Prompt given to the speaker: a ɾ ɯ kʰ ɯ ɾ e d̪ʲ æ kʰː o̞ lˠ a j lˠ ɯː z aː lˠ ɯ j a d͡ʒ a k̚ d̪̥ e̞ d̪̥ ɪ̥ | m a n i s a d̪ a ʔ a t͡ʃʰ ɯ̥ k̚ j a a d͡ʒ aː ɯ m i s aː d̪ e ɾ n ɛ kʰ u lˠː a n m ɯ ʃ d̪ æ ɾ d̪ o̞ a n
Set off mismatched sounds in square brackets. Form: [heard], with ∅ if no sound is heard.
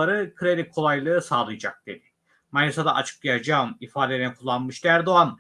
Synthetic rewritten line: a ɾ ɯ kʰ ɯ ɾ e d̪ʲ [i] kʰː o̞ lˠ a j lˠ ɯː [s] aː lˠ ɯ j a d͡ʒ a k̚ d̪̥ e̞ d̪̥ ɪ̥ | m a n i s a d̪ a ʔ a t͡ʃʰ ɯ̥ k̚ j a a d͡ʒ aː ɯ m i [f] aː d̪ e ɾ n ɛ kʰ u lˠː a n m ɯ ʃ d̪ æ ɾ d̪ o̞ a n

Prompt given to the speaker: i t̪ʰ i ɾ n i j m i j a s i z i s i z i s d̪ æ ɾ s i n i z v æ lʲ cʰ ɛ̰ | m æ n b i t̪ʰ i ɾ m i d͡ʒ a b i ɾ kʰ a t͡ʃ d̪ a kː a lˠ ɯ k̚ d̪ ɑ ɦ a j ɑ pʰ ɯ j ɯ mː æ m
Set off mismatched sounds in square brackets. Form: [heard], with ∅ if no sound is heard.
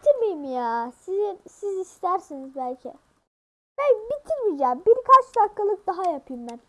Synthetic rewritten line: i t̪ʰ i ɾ [m] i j m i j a s i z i s i z i s [t̪] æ ɾ s i n i z [b] æ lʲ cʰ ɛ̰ | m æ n b i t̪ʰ i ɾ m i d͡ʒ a b i ɾ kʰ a t͡ʃ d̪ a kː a lˠ ɯ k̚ d̪ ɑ ɦ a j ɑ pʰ ɯ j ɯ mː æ [n]

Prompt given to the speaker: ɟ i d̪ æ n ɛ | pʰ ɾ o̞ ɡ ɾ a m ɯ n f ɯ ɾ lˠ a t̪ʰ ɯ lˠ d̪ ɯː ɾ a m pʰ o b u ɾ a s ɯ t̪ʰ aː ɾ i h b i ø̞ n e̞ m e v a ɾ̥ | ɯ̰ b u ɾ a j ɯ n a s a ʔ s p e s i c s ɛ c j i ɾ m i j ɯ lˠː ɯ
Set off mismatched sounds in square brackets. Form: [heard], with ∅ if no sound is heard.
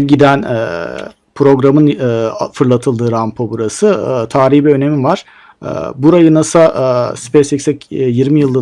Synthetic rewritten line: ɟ i d̪ æ n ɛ | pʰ ɾ o̞ ɡ ɾ a m ɯ n f ɯ ɾ lˠ a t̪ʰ ɯ lˠ d̪ ɯː ɾ a m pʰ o b u ɾ a s ɯ t̪ʰ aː ɾ i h b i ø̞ n e̞ m [i] v a ɾ̥ | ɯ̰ b u ɾ a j ɯ n a s a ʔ s p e s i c s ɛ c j i ɾ m i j ɯ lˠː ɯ

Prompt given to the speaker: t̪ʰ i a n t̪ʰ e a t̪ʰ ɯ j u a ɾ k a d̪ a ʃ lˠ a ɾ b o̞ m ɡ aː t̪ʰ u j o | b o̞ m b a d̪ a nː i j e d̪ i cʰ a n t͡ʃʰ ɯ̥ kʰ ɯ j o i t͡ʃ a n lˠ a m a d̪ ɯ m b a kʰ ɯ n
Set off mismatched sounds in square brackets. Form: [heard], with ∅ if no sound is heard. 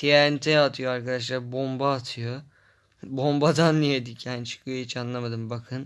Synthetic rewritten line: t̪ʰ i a n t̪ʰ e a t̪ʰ ɯ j [o] a ɾ k a d̪ a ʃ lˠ a ɾ b o̞ m [b] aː t̪ʰ [ɯ] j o | b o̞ m b a d̪ a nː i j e d̪ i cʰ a n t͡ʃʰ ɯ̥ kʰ ɯ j o i t͡ʃ a n lˠ a m a d̪ ɯ m b a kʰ ɯ n

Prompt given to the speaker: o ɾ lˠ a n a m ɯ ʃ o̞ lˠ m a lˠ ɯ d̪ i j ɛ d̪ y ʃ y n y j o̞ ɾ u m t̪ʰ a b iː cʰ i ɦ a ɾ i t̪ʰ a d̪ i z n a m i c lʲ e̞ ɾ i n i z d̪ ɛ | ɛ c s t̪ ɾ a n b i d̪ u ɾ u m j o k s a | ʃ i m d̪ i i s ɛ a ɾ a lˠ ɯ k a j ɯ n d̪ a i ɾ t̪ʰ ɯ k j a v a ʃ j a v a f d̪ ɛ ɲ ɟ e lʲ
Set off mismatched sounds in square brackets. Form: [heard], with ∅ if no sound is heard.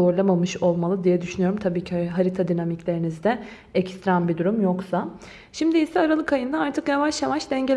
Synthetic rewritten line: o ɾ lˠ a [m] a m ɯ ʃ o̞ lˠ m a lˠ ɯ d̪ i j ɛ d̪ y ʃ y n y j o̞ ɾ u m t̪ʰ a b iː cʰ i ɦ a ɾ i t̪ʰ a d̪ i [∅] n a m i c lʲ e̞ ɾ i n i z d̪ ɛ | ɛ c s t̪ ɾ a n b i d̪ u ɾ u m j o k s a | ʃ i m d̪ i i s ɛ a ɾ a lˠ ɯ k a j ɯ n d̪ a [a] ɾ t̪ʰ ɯ k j a v a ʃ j a v a [ʃ] d̪ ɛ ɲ ɟ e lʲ

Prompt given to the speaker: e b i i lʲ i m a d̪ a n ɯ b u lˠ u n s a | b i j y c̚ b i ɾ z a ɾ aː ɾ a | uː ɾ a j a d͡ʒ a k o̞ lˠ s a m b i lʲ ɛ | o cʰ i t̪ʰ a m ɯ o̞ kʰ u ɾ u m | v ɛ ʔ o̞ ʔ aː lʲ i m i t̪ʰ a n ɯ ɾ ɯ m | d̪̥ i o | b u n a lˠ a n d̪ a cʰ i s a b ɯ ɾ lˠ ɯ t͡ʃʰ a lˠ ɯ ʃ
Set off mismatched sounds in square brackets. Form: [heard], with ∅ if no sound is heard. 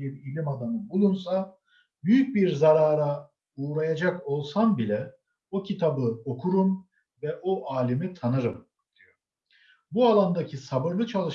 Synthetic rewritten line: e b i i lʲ i m a d̪ a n ɯ b u lˠ u n s a | b [y] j y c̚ b i ɾ z a ɾ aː ɾ a | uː ɾ a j a d͡ʒ a k o̞ lˠ s a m b i lʲ ɛ | o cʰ i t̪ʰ a [b] ɯ o̞ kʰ u ɾ u m | v ɛ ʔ o̞ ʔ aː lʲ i m i t̪ʰ a n ɯ ɾ ɯ m | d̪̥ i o | b u [∅] a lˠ a n d̪ a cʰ i s a b ɯ ɾ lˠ ɯ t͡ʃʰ a lˠ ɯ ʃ

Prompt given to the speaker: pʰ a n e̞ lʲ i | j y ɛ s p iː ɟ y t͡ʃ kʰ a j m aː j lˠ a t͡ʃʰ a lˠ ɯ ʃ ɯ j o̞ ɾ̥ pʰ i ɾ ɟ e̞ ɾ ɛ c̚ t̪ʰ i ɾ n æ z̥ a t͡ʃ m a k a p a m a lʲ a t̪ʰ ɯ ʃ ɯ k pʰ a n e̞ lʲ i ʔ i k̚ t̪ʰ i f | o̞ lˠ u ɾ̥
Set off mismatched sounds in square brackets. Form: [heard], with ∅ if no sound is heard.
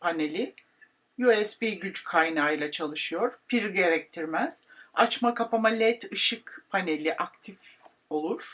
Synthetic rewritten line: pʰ a n e̞ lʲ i | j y ɛ s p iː ɟ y t͡ʃ kʰ a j [n] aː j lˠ a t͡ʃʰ a lˠ ɯ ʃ ɯ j o̞ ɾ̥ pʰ i ɾ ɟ e̞ ɾ ɛ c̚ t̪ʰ i ɾ [m] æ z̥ a t͡ʃ m a k a p a m a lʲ [ɛ] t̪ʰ ɯ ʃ ɯ k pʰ a n e̞ lʲ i ʔ [a] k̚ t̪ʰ i f | o̞ lˠ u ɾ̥

